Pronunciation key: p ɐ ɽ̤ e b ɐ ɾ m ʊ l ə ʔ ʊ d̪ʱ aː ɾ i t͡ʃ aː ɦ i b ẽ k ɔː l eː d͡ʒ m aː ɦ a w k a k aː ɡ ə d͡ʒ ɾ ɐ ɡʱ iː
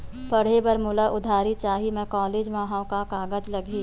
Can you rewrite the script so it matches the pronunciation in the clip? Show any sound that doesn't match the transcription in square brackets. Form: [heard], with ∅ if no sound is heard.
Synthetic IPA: p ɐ ɽ̤ e b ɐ ɾ m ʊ l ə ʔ ʊ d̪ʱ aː ɾ i t͡ʃ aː ɦ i [m] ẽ k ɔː l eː d͡ʒ m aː ɦ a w k a k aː ɡ ə d͡ʒ [l] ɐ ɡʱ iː